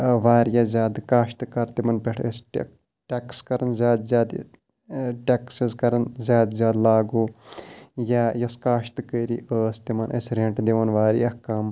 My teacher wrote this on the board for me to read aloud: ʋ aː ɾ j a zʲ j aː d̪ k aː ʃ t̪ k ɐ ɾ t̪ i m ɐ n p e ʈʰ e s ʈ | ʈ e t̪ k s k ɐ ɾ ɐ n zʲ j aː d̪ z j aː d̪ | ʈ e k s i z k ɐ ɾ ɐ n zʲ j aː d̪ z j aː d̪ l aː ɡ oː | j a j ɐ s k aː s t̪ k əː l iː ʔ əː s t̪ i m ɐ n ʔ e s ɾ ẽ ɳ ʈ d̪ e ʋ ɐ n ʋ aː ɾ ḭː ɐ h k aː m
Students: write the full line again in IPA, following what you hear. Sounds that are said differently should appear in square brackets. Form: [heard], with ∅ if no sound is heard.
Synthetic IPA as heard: ʋ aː ɾ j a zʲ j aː d̪ k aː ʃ t̪ k ɐ ɾ t̪ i m ɐ n p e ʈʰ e s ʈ | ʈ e [∅] k s k ɐ ɾ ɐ n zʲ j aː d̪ z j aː d̪ | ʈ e k s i z k ɐ ɾ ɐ n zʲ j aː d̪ z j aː d̪ l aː ɡ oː | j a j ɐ s k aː [ʃ] t̪ k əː [ɾ] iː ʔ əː s t̪ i m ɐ n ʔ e s ɾ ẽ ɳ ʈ d̪ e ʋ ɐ n ʋ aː ɾ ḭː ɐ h k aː m